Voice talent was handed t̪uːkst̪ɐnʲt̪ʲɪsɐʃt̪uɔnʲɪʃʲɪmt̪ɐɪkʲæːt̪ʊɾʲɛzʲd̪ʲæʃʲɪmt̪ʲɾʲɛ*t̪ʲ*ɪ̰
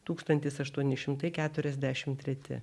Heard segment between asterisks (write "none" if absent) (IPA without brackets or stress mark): t̪ʲ